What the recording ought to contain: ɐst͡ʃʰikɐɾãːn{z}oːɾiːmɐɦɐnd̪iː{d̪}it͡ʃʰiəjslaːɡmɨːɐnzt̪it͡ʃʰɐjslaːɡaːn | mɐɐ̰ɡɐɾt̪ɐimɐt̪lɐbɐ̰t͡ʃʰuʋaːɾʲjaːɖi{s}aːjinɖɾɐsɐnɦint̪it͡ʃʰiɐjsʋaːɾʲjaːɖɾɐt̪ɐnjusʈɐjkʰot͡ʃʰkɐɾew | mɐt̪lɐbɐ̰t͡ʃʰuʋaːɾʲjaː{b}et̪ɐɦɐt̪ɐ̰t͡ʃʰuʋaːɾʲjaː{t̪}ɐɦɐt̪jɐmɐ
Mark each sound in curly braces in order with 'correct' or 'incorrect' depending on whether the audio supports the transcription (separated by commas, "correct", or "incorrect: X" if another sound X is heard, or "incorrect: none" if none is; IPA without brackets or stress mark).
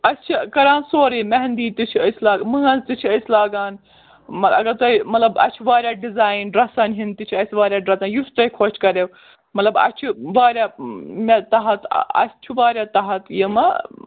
incorrect: s, incorrect: t̪, incorrect: z, incorrect: m, correct